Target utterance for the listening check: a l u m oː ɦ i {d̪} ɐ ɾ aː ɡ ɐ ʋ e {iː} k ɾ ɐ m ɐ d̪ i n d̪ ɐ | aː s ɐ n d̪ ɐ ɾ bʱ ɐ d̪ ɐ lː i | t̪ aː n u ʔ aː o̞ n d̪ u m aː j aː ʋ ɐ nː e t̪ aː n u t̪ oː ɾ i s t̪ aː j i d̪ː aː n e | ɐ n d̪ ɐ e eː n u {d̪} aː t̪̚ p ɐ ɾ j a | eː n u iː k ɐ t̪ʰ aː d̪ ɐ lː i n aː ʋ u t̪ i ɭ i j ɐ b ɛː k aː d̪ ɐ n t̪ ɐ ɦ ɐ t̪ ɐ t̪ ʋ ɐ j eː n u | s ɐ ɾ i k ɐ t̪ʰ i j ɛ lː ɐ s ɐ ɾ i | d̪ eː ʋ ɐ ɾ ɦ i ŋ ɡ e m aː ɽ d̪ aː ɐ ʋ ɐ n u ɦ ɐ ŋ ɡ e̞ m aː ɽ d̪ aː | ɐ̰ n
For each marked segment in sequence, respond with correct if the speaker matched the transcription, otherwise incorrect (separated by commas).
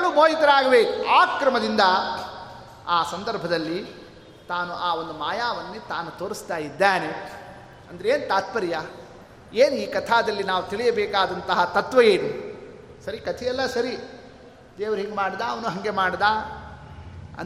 incorrect, incorrect, incorrect